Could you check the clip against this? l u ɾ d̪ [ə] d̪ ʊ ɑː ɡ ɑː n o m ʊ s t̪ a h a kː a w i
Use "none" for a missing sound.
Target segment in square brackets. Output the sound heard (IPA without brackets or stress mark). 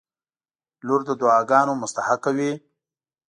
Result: ə